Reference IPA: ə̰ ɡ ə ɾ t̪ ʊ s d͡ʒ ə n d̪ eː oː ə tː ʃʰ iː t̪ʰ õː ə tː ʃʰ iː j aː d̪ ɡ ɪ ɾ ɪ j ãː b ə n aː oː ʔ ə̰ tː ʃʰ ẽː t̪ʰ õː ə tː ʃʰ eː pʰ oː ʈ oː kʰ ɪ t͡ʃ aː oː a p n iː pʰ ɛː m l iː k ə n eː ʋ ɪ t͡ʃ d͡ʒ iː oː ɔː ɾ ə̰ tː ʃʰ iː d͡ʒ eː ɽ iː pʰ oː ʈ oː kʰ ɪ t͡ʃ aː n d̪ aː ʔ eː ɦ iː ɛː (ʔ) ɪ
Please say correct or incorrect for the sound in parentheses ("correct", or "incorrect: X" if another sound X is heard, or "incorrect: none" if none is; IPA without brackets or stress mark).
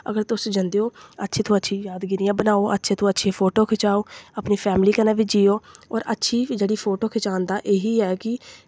incorrect: k